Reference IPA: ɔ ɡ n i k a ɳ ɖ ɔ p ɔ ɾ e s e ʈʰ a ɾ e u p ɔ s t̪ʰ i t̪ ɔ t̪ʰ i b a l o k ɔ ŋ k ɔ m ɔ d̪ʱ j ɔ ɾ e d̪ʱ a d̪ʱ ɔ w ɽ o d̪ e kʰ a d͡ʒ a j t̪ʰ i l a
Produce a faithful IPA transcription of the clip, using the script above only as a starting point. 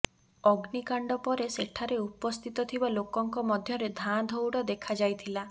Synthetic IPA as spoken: ɔ ɡ n i k a ɳ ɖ ɔ p ɔ ɾ e s e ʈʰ a ɾ e u p ɔ s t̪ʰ i t̪ ɔ t̪ʰ i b a l o k ɔ ŋ k ɔ m ɔ d̪ʱ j ɔ ɾ e d̪ʱ a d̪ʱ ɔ w ɽ ɔ d̪ e kʰ a d͡ʒ a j t̪ʰ i l a